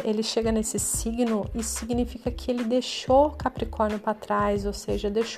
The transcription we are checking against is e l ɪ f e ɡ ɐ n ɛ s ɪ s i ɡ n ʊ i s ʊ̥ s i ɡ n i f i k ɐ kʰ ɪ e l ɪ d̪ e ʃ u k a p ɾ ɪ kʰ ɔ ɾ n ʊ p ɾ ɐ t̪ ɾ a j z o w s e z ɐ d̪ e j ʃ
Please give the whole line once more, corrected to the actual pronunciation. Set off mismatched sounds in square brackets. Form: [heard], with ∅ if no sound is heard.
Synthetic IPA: e l ɪ [ʃ] e ɡ ɐ n [e] s ɪ s i ɡ n ʊ i s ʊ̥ s i ɡ n i f i k ɐ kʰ ɪ e l ɪ d̪ e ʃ [o] k a p ɾ [i] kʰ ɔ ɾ n ʊ p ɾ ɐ t̪ ɾ a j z o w s e [ʒ] ɐ d̪ e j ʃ